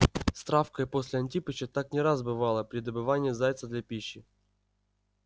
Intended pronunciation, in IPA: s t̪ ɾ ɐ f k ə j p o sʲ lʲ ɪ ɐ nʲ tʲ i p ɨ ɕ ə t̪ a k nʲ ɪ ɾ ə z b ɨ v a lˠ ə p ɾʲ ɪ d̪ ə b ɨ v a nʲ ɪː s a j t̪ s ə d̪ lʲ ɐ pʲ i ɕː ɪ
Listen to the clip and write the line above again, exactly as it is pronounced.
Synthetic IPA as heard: s t̪ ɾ a f k ə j p o sʲ lʲ ɪ ɐ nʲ tʲ i p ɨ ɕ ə t̪ a k nʲ ɪ ɾ a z b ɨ v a lˠ ə p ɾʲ ɪ d̪ ə b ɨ v a nʲ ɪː z a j t̪ s ə d̪ lʲ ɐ pʲ i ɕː ɪ

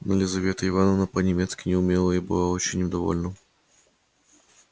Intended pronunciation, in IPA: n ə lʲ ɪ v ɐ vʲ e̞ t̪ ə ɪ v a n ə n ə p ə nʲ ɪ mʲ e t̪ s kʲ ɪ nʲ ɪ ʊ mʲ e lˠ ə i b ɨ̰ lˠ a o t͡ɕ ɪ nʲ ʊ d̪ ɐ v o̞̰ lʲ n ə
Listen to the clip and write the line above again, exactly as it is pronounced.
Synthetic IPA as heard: n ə lʲ ɪ z ɐ vʲ e̞ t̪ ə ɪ v a n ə n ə p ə nʲ ɪ mʲ e t̪ s kʲ ɪ nʲ ɪ ʊ mʲ e lˠ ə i b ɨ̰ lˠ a o t͡ɕ ɪ nʲ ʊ d̪ ɐ v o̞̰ lʲ n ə

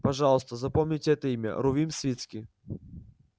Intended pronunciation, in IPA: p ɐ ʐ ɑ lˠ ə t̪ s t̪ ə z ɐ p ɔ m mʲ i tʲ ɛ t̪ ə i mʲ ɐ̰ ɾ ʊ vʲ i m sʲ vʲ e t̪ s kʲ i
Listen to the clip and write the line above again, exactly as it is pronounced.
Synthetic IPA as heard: p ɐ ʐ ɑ lˠ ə s t̪ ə z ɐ p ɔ m nʲ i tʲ ɛ t̪ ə i mʲ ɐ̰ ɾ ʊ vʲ i m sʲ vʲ i t̪ s kʲ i

